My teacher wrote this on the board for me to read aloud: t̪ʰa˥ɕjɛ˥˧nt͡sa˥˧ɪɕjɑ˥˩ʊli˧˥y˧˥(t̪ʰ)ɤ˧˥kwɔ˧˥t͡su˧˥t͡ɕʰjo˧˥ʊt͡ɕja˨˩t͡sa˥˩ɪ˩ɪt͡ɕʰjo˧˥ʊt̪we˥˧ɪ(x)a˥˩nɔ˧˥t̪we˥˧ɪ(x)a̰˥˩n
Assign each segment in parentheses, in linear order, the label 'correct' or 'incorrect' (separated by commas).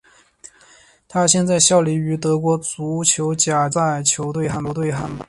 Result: incorrect, correct, correct